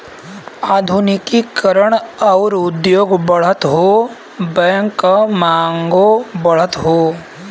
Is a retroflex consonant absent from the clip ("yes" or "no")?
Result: no